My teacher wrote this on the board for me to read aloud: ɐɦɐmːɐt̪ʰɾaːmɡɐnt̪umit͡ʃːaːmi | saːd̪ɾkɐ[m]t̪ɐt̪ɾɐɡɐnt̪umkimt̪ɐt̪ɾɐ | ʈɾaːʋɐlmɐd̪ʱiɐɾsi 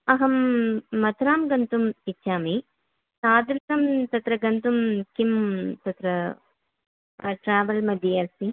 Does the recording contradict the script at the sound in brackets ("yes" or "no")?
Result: no